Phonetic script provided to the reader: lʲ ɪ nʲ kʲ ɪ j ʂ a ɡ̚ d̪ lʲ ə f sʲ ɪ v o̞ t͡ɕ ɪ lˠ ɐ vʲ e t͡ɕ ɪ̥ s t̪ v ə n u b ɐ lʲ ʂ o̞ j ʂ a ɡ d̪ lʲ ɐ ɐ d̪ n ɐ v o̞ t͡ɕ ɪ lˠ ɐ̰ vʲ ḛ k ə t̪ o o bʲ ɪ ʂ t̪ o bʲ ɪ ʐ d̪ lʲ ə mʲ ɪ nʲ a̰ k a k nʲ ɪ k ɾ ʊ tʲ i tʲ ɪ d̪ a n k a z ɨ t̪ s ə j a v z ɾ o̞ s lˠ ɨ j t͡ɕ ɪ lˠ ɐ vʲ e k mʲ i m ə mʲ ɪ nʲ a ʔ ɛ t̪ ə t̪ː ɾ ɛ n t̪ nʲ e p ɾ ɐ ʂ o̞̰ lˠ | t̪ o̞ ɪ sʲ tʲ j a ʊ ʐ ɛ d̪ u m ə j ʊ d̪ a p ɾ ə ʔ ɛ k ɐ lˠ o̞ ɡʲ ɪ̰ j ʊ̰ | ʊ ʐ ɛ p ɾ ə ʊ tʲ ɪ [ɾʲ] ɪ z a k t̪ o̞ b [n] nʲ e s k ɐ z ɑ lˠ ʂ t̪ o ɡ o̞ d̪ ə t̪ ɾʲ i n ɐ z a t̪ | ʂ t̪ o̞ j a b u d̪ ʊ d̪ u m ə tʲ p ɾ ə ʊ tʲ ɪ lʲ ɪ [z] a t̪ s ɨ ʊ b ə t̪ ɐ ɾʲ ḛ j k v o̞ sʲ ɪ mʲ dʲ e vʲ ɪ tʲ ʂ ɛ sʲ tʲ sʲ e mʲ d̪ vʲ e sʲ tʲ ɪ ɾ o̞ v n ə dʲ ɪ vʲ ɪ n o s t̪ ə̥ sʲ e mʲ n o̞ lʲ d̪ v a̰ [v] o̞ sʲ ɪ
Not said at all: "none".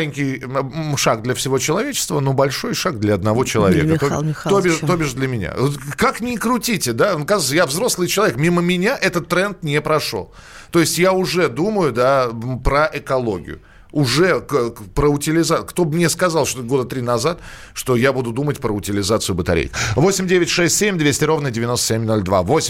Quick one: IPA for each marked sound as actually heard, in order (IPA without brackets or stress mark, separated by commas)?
lʲ, m, z, v